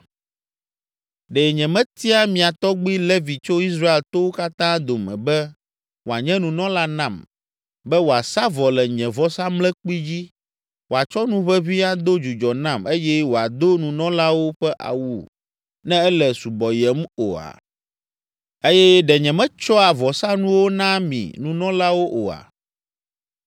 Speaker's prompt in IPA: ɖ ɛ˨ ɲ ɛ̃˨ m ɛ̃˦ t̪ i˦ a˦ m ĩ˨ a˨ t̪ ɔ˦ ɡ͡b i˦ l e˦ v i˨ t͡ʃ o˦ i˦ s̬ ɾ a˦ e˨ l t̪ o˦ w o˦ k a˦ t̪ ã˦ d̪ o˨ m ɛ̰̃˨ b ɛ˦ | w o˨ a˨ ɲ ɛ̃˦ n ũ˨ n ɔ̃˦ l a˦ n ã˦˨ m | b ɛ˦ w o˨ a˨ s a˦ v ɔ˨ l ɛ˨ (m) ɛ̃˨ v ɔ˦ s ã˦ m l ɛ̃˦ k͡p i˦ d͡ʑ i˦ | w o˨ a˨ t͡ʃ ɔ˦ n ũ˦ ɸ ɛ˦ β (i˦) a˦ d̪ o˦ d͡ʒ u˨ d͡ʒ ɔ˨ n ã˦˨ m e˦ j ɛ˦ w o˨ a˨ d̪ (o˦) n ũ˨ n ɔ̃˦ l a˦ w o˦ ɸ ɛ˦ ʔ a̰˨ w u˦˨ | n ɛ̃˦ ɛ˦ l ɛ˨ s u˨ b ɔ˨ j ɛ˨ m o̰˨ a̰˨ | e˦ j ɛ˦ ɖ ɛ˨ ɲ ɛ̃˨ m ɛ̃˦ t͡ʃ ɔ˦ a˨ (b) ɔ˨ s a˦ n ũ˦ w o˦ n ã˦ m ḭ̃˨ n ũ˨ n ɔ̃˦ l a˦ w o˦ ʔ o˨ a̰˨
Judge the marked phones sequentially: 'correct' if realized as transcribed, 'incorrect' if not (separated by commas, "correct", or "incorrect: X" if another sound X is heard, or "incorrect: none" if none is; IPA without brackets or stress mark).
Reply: incorrect: ɲ, correct, correct, incorrect: v